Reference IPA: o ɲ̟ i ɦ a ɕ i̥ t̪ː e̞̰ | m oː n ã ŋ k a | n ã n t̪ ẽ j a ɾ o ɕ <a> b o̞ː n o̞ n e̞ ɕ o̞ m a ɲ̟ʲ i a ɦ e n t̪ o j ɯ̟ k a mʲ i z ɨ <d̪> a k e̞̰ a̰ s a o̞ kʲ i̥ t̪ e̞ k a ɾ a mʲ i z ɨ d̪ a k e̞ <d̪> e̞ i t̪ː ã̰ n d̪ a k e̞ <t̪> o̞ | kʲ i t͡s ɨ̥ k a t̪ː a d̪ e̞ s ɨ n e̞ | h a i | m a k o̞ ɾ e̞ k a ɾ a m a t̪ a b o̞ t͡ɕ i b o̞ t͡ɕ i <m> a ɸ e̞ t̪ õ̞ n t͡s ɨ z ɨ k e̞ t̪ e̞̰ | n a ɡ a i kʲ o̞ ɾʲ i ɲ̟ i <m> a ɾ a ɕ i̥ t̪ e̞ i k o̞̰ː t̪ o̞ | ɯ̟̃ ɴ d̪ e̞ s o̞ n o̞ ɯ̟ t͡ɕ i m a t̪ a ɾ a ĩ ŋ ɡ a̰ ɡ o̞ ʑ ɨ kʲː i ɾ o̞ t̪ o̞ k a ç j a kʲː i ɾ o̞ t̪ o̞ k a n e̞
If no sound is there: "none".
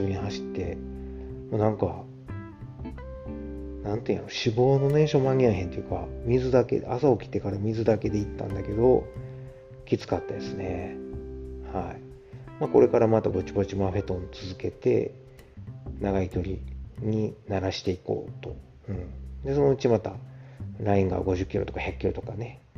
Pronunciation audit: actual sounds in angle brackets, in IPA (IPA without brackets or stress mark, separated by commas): i, d̪, d̪, d̪, m, n